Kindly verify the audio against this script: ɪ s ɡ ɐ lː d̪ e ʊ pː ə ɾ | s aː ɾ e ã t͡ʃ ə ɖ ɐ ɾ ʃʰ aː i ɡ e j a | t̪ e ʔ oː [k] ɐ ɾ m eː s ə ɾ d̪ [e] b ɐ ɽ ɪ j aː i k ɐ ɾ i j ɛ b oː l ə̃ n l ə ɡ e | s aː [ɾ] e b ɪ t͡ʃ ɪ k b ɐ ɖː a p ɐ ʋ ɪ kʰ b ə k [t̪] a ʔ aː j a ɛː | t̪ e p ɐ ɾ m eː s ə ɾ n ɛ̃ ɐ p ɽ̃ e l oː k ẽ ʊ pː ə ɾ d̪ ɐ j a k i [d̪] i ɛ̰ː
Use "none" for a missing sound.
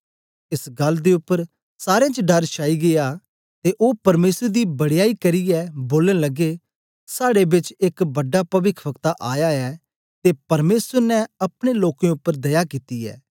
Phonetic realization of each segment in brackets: p, i, ɽ, t̪, t̪

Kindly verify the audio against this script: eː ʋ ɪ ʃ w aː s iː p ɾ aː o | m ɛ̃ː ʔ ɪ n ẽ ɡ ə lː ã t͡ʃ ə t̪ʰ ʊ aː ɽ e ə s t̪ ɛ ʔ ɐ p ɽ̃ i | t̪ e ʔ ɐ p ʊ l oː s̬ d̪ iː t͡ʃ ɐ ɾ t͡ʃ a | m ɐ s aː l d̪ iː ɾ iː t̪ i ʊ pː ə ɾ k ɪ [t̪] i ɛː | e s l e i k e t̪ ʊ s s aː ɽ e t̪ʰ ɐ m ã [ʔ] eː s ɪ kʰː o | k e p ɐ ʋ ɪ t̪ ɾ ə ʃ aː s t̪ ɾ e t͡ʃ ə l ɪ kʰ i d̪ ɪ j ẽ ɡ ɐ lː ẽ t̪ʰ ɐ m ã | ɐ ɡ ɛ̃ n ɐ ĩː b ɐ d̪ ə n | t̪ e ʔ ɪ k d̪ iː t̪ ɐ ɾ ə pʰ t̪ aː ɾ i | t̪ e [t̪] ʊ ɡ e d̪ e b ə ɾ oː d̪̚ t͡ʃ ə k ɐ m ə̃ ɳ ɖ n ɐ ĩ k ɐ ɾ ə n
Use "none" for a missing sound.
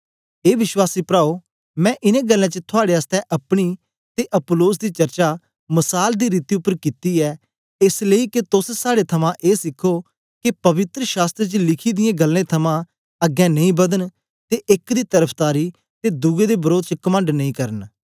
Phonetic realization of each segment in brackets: t̪, ʔ, d̪

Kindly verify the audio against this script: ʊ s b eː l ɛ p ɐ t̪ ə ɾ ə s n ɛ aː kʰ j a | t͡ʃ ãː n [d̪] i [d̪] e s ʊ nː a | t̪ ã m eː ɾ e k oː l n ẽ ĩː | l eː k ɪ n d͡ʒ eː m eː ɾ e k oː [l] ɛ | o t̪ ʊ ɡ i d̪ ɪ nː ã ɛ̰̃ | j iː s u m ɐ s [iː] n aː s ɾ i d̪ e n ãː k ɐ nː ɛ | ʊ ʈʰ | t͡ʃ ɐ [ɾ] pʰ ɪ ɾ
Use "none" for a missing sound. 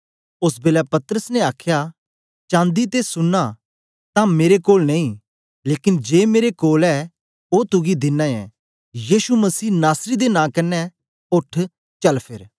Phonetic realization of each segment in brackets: d̪, t̪, l, iː, l

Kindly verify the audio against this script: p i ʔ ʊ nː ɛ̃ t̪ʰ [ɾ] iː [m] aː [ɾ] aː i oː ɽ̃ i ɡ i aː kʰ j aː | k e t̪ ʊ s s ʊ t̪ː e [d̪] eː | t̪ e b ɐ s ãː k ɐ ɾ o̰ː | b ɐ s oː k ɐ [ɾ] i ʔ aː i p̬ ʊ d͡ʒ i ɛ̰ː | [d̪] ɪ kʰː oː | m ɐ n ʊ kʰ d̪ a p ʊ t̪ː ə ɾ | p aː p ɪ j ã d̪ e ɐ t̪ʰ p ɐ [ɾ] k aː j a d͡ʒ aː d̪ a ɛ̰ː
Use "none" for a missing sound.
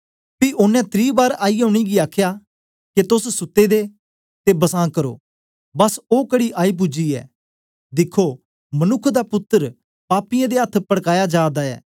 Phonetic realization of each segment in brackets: ɾ, b, ɾ, d̪, ɽ, d̪, ɽ

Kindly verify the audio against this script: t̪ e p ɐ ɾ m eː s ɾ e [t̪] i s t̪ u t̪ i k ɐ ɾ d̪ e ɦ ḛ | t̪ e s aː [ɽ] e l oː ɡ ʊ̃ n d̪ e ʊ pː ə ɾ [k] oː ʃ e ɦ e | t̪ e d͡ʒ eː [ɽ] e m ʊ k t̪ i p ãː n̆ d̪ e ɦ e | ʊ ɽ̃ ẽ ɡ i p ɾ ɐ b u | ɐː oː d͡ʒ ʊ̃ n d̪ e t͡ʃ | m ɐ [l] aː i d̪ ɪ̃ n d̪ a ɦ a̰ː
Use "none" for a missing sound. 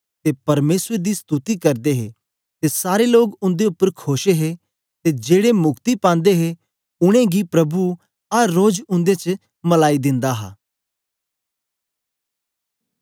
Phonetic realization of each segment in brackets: d̪, ɾ, kʰ, ɽ, l

